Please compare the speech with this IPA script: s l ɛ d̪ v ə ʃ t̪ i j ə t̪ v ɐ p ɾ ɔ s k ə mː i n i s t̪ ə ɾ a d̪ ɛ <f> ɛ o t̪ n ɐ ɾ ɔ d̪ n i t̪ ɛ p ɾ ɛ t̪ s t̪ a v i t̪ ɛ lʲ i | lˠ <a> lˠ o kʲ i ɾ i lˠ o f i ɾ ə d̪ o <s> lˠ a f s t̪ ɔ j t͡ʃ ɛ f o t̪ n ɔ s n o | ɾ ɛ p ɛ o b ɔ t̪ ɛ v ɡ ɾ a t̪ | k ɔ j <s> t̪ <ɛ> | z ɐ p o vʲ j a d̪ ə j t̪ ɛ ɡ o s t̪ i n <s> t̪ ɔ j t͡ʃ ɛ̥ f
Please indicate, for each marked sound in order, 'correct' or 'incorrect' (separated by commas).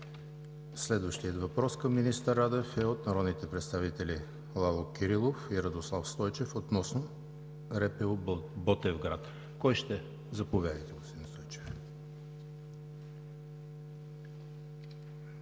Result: correct, correct, correct, incorrect, correct, correct